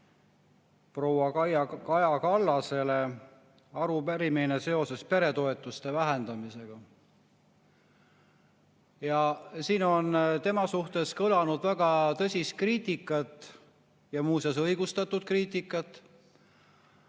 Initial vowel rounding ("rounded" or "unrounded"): rounded